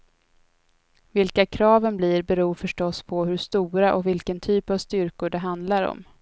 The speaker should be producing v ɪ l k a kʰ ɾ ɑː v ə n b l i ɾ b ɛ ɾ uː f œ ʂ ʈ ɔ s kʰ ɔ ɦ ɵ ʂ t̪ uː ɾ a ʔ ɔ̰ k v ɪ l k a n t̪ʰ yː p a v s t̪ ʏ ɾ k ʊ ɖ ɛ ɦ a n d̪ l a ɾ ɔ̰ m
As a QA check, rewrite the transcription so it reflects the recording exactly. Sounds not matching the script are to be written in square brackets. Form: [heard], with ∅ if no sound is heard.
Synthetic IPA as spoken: v ɪ l k a kʰ ɾ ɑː v ə n b l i ɾ b ɛ ɾ uː f œ ʂ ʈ ɔ s [pʰ] ɔ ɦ ɵ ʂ t̪ uː ɾ a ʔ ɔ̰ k v ɪ l k [ə] n t̪ʰ yː p a v s t̪ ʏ ɾ k ʊ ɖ ɛ ɦ a n d̪ l a ɾ ɔ̰ m